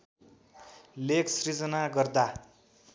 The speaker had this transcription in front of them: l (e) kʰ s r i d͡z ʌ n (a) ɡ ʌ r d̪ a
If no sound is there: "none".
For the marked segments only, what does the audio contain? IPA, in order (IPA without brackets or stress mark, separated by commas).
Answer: e, a